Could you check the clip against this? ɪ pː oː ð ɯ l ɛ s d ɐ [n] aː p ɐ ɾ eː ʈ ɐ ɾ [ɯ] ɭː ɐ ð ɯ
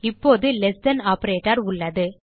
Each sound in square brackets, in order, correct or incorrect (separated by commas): correct, incorrect